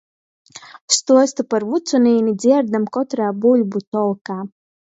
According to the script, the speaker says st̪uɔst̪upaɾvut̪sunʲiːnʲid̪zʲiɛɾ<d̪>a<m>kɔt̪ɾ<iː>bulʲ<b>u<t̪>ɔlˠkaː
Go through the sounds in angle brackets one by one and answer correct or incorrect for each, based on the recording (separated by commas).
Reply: correct, correct, incorrect, correct, correct